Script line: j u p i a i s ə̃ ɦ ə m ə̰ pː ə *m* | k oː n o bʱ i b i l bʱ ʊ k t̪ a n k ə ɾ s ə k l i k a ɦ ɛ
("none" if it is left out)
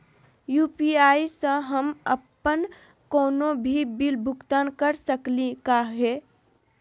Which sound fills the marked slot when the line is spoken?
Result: n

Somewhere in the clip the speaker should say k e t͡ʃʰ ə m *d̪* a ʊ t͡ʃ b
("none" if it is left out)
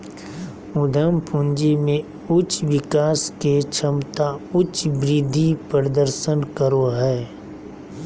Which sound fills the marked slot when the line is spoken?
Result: t̪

